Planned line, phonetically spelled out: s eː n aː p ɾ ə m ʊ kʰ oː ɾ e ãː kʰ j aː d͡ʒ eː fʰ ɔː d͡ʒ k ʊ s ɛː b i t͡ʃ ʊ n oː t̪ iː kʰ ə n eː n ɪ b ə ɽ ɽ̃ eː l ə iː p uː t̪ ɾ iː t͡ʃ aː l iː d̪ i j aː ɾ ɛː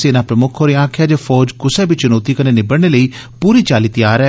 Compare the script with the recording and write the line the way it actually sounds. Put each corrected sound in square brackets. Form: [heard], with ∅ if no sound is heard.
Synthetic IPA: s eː n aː p ɾ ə m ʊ kʰ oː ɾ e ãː kʰ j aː d͡ʒ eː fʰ ɔː d͡ʒ k ʊ s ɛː b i t͡ʃ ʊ n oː t̪ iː [k] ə n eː n ɪ b ə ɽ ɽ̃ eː l ə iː p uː [∅] ɾ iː t͡ʃ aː l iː [t̪] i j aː ɾ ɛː